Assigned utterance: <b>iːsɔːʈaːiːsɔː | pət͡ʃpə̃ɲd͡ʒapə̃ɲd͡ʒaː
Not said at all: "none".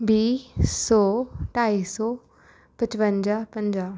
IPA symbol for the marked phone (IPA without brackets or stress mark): b